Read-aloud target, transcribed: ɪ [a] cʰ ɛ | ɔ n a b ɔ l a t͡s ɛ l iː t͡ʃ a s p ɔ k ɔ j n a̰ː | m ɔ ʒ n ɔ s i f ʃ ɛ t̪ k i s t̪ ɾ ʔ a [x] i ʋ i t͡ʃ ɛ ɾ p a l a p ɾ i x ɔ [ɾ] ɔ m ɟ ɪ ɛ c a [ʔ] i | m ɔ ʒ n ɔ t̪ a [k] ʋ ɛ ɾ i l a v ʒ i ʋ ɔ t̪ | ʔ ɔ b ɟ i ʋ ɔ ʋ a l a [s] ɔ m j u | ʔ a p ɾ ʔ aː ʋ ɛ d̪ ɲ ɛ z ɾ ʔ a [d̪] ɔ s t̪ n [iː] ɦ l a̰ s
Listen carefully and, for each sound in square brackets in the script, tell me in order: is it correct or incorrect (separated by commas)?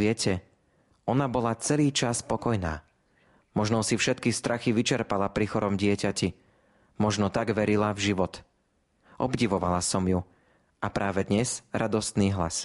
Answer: incorrect, correct, correct, incorrect, incorrect, correct, correct, correct